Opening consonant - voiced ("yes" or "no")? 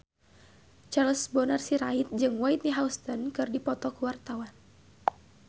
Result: no